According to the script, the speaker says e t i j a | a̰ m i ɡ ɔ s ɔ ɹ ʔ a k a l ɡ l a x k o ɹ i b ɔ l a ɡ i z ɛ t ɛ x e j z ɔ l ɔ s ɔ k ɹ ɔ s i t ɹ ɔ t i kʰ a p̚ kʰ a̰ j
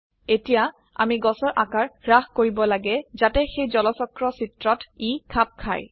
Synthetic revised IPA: e t i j a | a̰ m i ɡ ɔ s ɔ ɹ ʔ a k a ɹ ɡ ɹ a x k o ɹ i b ɔ l a ɡ ɛ z a t ɛ x e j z ɔ l ɔ s ɔ k ɹ ɔ s i t ɹ ɔ t i kʰ a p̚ kʰ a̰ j